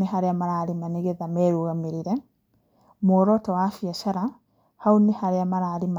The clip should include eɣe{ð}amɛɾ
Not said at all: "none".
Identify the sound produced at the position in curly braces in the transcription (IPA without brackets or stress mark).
ð